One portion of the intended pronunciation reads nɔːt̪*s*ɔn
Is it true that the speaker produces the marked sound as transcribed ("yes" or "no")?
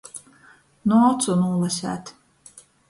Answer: yes